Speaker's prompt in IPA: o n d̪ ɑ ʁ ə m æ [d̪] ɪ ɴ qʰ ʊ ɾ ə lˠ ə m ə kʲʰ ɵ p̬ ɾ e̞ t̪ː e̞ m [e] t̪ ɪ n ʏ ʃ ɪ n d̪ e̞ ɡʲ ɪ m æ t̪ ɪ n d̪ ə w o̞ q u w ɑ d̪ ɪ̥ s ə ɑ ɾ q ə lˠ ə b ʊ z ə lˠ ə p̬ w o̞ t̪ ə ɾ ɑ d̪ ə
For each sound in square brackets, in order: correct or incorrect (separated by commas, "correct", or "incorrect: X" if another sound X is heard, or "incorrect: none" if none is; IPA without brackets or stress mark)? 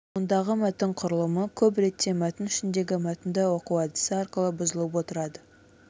incorrect: t̪, incorrect: æ